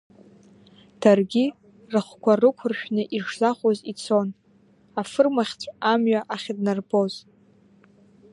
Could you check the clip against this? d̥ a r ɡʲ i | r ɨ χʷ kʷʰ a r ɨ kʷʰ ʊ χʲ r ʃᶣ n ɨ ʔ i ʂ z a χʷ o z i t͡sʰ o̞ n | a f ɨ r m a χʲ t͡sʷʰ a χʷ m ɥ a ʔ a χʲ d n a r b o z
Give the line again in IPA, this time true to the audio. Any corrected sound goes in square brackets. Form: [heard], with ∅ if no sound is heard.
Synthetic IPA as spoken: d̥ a r ɡʲ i | r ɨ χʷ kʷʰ a r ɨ kʷʰ ʊ [∅] r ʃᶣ n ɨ ʔ i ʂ z a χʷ o z i t͡sʰ o̞ n | a f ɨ r m a χʲ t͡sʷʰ a [∅] m ɥ a ʔ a χʲ d n a r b o z

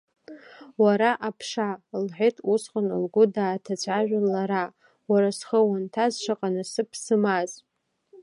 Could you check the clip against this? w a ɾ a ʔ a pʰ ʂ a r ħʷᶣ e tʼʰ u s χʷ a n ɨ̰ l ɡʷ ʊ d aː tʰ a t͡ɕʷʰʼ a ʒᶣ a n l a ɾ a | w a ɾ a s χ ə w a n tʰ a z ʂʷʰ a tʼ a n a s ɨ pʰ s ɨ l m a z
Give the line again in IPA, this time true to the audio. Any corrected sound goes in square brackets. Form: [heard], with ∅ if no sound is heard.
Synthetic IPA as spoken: w a ɾ a ʔ a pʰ ʂ a [l] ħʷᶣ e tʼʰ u s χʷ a n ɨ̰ l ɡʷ ʊ d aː tʰ a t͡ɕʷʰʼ a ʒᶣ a n l a ɾ a | w a ɾ a s χ ə w a n tʰ a z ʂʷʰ a [qʼ] a n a s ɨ pʰ s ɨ [∅] m a z

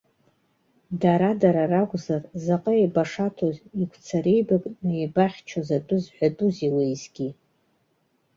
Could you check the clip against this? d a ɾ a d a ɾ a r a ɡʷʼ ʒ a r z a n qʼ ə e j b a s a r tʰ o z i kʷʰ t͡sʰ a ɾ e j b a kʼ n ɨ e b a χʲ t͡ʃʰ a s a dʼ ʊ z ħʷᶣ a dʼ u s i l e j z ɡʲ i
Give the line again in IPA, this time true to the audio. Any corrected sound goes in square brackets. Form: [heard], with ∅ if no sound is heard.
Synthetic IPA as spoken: d a ɾ a d a ɾ a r a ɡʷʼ [z] a r z a [∅] qʼ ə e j b a [ʂ] a [∅] tʰ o z i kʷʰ t͡sʰ a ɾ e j b a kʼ n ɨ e b a χʲ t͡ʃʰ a [z] a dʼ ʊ z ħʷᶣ a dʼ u [z] i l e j z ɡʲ i

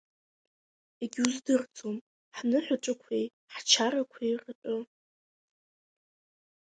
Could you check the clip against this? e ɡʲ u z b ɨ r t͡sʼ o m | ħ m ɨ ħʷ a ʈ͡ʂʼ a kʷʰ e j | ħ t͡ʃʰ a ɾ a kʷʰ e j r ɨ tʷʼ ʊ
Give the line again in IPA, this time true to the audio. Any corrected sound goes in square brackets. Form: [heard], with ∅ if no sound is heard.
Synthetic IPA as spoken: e ɡʲ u z [d] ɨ r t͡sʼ o m | ħ [n] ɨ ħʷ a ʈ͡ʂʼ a kʷʰ e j | ħ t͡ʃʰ a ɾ a kʷʰ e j r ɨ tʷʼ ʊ

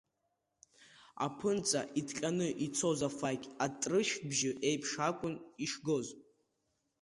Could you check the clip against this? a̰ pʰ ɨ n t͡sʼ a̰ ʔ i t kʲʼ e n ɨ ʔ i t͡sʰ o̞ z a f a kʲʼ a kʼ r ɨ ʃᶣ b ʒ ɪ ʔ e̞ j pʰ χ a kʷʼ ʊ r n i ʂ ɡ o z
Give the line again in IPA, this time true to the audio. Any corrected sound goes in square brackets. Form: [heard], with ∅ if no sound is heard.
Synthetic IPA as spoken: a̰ pʰ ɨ n t͡sʼ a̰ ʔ i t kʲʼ [a] n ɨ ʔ i t͡sʰ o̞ z a f a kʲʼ a [tʼ] r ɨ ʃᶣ b ʒ ɪ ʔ e̞ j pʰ [ʂ] a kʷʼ ʊ [∅] n i ʂ ɡ o z

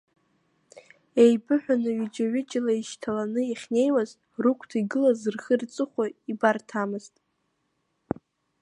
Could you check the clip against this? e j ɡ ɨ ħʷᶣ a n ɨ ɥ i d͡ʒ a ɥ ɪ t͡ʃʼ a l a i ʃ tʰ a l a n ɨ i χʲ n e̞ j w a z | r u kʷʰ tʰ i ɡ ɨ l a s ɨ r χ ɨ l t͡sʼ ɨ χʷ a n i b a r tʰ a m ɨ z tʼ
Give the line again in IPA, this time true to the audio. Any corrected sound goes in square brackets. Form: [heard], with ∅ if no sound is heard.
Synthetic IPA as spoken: e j [b] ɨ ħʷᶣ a n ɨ ɥ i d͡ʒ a ɥ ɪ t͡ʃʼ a l a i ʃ tʰ a l a n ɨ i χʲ n e̞ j w a z | r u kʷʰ tʰ i ɡ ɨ l a [z] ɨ r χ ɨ [r] t͡sʼ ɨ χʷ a [∅] i b a r tʰ a m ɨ z tʼ

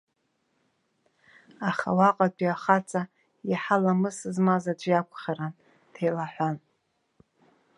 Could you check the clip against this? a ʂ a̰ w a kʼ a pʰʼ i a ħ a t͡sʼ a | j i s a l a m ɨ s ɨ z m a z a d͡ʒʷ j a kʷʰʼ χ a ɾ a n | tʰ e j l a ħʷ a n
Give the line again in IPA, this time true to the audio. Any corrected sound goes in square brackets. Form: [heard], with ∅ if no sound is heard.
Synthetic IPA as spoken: a [χ] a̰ w a [qʼ] a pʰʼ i a [χ] a t͡sʼ a | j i [ħ] a l a m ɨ s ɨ z m a z a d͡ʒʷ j a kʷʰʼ χ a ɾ a n | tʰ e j l a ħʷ a n

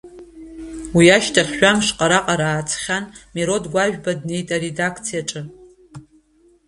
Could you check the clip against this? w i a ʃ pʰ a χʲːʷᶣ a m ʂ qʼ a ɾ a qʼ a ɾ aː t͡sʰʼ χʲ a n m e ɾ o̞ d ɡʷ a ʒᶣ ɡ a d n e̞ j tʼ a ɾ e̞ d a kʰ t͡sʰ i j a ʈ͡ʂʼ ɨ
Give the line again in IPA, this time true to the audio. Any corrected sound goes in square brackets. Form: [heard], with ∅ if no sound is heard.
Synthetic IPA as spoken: w i a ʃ [tʰ] a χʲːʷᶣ a m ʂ qʼ a ɾ a qʼ a ɾ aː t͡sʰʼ χʲ a n m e ɾ o̞ d ɡʷ a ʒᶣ [b] a d n e̞ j tʼ a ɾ e̞ d a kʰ t͡sʰ i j a ʈ͡ʂʼ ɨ

